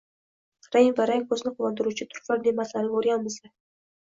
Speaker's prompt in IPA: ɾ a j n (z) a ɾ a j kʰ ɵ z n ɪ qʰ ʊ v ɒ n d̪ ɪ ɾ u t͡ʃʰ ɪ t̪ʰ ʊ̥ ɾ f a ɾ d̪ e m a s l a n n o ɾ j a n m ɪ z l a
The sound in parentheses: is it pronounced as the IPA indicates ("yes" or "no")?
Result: no